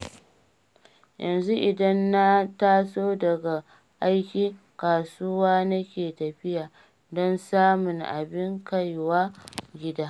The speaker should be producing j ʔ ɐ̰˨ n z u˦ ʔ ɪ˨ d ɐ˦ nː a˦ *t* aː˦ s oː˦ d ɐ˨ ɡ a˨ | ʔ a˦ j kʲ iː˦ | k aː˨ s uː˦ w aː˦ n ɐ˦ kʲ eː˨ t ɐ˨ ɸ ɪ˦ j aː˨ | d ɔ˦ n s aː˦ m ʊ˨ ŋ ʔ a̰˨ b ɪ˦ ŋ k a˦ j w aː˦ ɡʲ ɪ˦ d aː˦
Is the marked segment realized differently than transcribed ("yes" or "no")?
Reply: no